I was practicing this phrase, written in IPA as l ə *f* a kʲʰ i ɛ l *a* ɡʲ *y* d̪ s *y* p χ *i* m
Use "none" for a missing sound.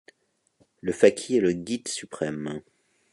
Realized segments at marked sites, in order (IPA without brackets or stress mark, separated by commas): f, ə, i, y, ɛ